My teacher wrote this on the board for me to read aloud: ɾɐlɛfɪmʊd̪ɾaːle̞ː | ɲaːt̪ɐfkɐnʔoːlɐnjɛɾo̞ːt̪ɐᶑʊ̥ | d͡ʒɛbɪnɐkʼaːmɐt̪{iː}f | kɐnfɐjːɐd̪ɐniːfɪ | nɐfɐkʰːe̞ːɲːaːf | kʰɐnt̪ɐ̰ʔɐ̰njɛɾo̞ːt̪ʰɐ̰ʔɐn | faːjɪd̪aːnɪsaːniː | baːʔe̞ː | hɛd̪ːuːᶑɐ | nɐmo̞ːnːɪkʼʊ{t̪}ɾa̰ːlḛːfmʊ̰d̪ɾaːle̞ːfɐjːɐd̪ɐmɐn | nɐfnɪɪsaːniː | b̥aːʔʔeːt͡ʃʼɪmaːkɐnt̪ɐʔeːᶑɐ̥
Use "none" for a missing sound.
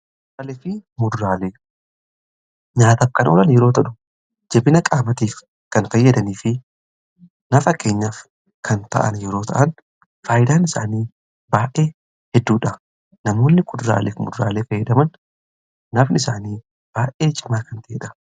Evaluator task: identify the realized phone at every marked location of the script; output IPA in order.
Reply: iː, d̪

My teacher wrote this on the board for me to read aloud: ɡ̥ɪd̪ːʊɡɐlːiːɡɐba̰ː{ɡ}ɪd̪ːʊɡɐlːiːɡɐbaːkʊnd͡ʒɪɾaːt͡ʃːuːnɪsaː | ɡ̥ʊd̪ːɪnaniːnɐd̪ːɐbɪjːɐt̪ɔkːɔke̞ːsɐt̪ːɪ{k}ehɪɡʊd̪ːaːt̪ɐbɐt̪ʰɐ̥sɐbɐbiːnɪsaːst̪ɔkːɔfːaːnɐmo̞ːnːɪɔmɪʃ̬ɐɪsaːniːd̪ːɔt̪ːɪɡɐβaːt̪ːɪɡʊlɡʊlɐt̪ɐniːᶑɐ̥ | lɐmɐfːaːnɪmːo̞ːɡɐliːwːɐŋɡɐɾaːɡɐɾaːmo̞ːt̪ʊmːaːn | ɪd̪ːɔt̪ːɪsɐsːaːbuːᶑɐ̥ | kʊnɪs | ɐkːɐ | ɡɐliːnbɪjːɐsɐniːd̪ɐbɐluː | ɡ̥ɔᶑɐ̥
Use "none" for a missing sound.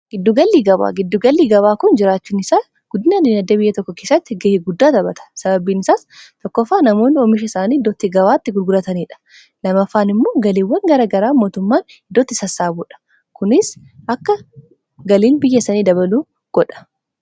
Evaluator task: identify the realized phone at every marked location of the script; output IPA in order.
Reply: ɡ, ɡ

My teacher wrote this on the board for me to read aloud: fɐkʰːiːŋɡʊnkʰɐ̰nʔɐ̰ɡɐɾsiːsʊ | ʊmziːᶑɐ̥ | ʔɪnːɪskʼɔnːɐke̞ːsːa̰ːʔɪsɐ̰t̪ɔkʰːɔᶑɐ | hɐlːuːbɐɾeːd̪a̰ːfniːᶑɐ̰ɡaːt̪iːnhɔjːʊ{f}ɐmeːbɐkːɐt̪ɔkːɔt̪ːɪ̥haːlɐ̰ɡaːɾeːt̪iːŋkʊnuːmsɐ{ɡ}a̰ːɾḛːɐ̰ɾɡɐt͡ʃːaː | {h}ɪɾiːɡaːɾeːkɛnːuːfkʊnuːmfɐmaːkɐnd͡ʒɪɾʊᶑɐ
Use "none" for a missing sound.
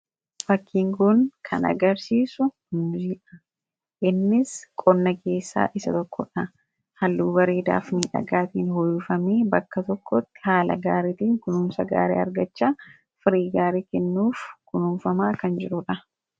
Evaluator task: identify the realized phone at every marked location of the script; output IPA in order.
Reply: f, ɡ, f

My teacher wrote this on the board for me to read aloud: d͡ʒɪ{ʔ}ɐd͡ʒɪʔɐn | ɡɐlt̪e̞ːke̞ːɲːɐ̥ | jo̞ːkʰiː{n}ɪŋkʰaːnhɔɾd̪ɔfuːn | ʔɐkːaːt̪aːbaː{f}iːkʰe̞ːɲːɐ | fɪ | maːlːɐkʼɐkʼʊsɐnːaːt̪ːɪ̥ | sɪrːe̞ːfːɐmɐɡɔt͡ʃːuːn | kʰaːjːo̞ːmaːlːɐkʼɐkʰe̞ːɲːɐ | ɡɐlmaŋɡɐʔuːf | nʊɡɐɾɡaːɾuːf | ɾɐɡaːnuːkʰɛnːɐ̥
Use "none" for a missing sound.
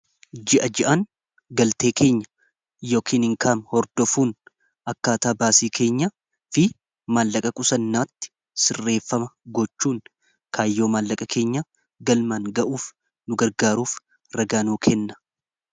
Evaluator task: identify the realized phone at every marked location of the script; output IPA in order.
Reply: ʔ, n, s

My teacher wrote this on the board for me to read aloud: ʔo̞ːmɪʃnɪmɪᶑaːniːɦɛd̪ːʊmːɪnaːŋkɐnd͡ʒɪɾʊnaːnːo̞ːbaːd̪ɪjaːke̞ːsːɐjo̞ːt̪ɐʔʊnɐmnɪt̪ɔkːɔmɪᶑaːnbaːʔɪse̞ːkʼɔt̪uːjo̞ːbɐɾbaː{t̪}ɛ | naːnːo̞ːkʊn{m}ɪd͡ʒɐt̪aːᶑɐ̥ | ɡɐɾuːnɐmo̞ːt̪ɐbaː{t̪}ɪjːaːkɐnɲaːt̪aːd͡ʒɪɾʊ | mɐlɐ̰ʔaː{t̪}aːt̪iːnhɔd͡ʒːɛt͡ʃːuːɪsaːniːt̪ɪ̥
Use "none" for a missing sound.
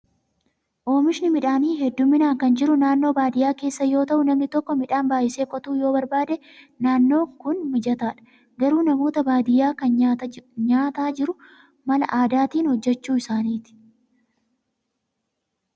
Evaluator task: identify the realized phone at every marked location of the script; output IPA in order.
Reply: d̪, m, d̪, d̪

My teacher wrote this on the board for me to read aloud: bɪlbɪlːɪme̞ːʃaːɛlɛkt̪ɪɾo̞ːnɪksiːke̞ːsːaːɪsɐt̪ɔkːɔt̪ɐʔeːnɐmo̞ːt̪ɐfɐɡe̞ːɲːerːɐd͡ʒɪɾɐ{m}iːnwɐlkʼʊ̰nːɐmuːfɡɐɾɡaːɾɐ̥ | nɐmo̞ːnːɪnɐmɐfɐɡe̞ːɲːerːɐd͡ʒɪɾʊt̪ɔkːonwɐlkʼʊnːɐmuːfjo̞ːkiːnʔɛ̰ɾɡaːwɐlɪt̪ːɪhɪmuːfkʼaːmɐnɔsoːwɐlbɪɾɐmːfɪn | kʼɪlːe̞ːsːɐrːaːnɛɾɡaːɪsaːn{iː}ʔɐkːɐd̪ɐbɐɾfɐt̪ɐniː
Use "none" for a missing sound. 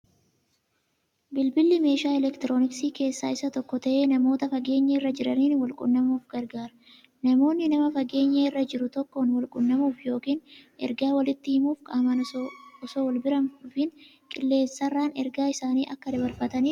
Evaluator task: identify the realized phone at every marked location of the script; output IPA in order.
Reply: n, iː

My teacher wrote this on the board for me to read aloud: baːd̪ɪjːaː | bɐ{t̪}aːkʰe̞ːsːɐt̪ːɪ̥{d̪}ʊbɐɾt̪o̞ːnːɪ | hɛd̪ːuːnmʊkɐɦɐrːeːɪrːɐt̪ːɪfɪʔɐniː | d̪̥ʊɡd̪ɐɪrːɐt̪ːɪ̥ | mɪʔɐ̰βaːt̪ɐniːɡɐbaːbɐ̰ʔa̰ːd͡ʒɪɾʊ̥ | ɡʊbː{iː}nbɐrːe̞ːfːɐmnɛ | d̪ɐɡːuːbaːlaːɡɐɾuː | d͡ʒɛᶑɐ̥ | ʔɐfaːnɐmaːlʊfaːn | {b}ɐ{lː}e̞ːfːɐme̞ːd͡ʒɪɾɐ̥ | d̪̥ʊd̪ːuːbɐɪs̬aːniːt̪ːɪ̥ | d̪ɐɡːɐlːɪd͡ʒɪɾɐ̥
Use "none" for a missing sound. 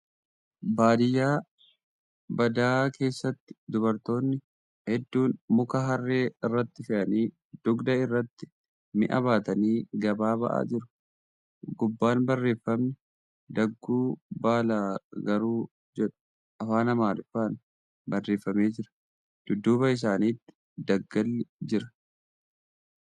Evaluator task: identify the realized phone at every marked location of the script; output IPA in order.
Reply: d̪, d̪, aː, b, rː

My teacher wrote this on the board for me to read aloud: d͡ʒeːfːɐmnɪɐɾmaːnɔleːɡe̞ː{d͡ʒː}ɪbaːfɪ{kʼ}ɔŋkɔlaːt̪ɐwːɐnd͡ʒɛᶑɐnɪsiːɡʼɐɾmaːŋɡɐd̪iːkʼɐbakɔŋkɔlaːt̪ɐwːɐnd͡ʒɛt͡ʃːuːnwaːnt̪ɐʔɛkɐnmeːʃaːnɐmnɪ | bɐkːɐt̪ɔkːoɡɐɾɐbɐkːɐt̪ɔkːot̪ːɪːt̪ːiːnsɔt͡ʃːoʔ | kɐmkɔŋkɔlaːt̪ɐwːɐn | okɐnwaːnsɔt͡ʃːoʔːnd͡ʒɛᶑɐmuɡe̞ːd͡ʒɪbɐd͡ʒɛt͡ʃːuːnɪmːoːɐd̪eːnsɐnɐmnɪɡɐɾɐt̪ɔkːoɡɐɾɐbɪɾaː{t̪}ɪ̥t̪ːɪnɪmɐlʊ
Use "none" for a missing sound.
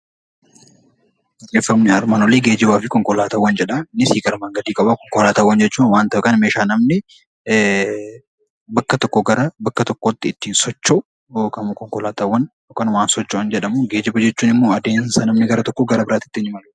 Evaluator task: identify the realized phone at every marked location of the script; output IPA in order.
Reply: d͡ʒ, k, t̪

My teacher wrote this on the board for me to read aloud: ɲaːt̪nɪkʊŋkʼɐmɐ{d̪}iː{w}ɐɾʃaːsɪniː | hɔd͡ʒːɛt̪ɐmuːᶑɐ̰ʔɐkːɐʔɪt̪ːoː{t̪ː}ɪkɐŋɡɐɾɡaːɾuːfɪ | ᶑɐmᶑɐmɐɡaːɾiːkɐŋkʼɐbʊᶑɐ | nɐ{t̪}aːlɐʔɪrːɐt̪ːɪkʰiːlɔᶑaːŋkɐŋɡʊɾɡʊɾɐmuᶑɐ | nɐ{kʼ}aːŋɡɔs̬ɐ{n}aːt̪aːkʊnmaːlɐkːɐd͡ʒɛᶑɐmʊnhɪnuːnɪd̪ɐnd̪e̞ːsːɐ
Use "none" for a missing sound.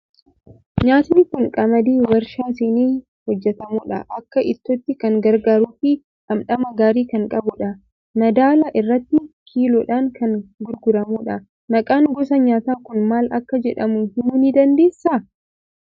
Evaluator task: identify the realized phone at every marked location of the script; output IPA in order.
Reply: d̪, w, t̪ː, d̪, kʼ, ɲ

